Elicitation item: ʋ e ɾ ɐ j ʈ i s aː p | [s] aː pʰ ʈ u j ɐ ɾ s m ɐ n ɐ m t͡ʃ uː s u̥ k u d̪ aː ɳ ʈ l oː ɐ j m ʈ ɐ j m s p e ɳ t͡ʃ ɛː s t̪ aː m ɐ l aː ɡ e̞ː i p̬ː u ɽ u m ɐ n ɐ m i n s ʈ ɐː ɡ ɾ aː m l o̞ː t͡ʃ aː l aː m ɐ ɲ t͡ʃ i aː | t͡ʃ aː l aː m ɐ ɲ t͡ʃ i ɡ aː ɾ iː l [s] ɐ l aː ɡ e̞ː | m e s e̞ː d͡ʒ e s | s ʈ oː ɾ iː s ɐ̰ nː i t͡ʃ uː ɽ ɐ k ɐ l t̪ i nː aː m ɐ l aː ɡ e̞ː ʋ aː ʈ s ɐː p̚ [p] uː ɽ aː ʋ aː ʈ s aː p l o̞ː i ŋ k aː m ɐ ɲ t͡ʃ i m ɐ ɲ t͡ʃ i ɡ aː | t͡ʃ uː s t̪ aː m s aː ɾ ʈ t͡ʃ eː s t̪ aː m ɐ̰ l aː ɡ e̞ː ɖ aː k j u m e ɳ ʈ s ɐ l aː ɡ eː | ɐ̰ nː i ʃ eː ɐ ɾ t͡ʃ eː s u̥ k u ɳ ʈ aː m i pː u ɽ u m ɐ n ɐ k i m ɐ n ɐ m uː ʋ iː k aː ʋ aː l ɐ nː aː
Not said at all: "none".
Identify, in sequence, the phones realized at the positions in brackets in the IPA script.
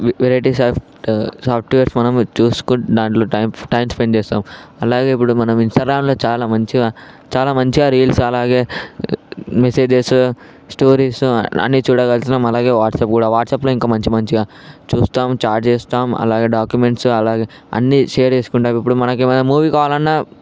s, s, k

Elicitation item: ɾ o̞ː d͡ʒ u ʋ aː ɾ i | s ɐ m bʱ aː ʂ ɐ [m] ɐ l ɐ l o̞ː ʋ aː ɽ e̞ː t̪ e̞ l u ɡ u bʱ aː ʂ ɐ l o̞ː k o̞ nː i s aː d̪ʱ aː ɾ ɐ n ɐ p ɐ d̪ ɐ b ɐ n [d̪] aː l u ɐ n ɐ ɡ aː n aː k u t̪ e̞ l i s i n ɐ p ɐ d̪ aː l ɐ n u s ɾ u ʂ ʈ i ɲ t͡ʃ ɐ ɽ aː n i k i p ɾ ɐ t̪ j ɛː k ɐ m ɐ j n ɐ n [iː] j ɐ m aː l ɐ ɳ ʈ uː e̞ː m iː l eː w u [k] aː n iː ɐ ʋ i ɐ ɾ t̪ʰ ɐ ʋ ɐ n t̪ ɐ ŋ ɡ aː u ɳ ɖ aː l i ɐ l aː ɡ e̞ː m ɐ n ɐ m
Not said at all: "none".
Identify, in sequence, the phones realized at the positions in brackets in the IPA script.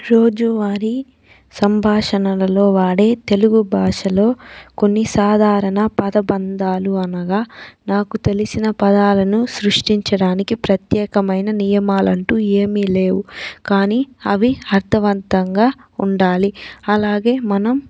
n, d̪, i, k

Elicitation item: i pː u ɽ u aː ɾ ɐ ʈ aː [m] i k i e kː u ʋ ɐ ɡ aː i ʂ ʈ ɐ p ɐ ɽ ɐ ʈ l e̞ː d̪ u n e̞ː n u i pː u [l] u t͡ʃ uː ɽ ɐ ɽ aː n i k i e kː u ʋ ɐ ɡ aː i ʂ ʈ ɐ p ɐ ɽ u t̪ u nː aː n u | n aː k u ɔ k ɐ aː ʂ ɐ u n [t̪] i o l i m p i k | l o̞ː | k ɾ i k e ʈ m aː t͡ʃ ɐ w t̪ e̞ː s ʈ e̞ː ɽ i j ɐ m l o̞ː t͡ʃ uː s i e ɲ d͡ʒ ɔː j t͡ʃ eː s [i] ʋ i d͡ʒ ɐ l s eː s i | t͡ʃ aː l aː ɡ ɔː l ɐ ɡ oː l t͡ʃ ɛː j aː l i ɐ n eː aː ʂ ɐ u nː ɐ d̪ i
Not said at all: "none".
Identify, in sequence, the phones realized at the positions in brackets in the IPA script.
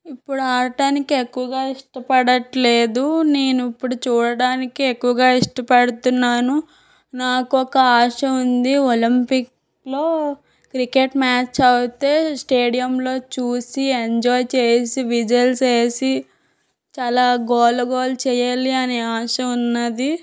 n, ɽ, d̪, i

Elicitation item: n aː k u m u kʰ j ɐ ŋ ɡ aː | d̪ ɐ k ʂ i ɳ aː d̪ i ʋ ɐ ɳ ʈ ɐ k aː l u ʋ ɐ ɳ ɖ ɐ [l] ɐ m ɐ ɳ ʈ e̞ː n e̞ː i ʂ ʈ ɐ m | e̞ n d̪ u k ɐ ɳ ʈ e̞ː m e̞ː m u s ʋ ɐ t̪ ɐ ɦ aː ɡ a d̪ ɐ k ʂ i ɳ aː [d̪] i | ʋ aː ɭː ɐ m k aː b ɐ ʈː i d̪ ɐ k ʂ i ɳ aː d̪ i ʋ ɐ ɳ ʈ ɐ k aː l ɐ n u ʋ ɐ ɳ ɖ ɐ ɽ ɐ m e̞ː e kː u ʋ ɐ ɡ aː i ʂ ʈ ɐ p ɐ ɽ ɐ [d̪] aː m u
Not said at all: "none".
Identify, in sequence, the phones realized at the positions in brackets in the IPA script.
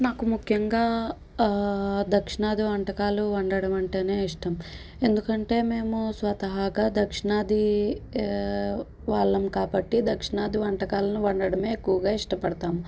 ɽ, d̪, t̪

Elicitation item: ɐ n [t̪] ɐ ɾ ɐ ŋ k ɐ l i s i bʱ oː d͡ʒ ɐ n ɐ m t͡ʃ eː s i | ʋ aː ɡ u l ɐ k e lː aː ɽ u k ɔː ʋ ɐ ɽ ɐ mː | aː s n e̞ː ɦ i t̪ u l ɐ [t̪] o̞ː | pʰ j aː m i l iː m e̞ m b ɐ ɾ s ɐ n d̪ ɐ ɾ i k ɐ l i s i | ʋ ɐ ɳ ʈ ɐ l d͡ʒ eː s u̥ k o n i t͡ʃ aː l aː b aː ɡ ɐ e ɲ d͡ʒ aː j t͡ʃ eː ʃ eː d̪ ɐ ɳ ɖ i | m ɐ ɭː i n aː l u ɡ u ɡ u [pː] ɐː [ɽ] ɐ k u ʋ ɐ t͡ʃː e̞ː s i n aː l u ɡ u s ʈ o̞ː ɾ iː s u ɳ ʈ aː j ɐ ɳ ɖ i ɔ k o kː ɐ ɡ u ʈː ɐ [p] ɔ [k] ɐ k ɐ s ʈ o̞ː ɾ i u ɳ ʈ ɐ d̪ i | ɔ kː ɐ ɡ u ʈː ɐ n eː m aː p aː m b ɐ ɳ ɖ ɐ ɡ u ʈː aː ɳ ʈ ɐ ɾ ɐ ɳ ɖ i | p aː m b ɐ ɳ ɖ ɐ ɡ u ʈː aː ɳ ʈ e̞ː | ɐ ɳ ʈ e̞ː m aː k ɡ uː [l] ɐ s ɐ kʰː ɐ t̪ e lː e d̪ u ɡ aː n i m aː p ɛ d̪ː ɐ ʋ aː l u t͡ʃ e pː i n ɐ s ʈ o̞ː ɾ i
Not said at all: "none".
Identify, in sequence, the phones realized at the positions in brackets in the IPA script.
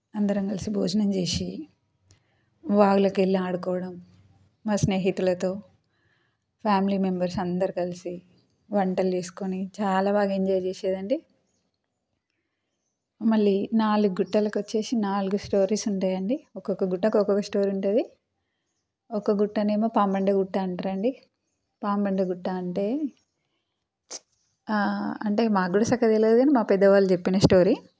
d̪, t̪, ʈː, l, k, k, ɽ

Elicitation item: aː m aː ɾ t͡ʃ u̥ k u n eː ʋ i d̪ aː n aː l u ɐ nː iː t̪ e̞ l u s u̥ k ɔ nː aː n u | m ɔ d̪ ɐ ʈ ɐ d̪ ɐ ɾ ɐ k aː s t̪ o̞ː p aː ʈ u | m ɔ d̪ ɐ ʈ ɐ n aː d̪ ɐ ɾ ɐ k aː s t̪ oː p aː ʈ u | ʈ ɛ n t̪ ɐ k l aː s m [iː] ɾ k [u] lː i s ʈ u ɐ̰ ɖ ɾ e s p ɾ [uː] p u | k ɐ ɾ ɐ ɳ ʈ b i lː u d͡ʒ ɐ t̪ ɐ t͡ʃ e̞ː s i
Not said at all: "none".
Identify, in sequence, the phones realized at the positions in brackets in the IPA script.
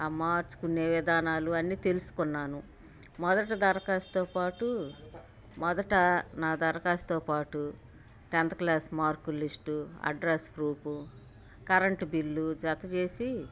aː, u, uː

